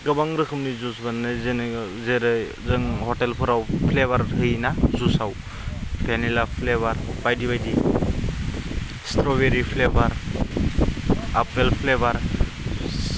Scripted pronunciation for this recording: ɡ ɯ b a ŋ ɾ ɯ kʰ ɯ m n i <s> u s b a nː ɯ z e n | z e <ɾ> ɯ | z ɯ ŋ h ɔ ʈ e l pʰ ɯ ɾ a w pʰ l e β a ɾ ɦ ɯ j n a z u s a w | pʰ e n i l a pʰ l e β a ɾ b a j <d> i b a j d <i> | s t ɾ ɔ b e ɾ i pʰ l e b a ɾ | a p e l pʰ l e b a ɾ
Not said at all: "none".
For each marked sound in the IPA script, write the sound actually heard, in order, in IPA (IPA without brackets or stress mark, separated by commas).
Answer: z, ɾ, d, i